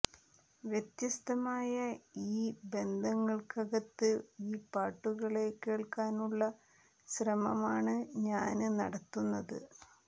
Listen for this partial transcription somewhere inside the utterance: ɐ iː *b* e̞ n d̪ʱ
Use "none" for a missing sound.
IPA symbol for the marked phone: b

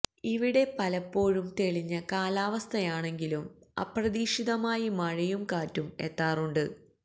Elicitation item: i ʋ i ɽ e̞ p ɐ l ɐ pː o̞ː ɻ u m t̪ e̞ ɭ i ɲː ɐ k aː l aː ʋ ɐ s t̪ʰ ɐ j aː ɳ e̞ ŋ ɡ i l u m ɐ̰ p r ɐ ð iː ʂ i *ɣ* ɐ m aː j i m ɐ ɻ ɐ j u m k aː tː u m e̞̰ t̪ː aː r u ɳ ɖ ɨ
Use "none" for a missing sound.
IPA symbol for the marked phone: ð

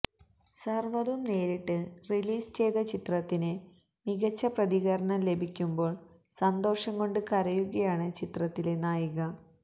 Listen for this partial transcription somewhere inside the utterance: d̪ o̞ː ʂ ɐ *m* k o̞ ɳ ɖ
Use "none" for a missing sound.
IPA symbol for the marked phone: ŋ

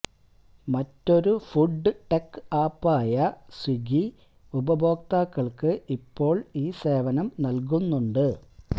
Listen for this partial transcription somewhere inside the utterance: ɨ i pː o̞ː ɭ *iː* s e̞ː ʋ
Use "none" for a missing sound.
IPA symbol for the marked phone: iː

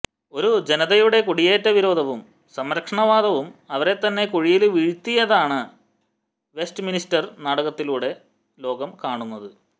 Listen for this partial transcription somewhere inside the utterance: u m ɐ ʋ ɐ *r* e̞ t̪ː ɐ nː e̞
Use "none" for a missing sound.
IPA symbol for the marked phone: ɾ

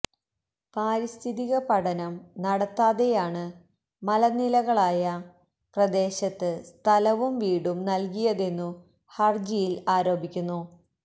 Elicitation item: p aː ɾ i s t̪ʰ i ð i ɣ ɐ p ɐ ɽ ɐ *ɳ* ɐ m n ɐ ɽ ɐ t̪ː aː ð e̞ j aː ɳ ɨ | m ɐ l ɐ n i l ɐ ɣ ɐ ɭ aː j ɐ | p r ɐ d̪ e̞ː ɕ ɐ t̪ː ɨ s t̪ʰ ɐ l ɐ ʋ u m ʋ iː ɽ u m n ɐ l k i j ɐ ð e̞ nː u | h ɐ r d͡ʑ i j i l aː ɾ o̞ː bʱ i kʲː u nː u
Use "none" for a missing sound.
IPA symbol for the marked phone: n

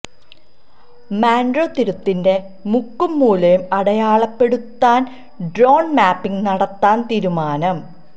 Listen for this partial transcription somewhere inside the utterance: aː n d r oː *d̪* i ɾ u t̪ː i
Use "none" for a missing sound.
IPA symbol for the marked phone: t̪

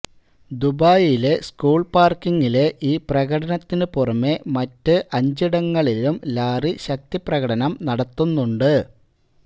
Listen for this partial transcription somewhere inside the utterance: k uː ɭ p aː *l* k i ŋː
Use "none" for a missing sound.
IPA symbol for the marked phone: r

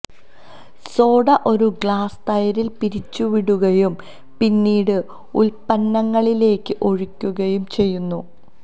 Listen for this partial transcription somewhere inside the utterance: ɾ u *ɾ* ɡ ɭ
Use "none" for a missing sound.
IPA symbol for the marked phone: none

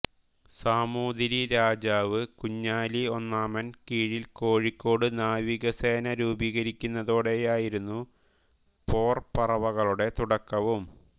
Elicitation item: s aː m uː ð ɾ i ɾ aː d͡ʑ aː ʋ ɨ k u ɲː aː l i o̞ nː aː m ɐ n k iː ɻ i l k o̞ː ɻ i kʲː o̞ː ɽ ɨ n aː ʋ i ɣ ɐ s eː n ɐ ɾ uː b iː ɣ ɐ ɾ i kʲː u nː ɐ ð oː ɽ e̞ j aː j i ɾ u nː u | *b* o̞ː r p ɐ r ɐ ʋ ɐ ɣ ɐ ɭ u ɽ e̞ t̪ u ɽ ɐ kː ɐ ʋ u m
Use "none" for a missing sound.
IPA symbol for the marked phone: p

